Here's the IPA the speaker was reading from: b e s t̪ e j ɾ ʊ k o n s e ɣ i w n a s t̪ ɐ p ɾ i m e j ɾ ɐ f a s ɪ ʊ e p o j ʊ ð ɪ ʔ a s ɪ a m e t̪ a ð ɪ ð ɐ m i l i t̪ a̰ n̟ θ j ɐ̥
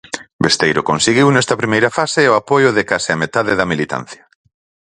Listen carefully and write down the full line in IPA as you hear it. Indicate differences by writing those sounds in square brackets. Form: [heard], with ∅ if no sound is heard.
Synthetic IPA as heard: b e s t̪ e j ɾ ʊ k o n s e ɣ i w n [ɛ] s t̪ ɐ p ɾ i m e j ɾ ɐ f a s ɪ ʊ [a] p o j ʊ ð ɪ [k] a s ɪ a m e t̪ a ð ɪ ð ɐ m i l i t̪ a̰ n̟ θ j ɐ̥